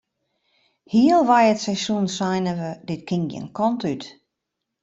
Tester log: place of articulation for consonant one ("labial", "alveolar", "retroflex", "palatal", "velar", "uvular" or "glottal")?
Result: glottal